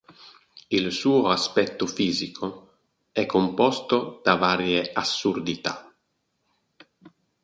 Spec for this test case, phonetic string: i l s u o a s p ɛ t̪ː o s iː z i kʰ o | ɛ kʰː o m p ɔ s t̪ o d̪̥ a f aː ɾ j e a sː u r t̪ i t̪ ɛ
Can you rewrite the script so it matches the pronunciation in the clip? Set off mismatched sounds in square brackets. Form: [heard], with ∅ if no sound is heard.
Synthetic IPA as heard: i l s [uː] o a s p ɛ t̪ː o [f] iː z i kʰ o | ɛ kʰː o m p ɔ s t̪ o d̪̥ a [v] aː ɾ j e a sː u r [d̪] i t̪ [a]